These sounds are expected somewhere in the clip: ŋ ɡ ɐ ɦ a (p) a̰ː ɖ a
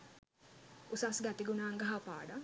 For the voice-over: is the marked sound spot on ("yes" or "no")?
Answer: yes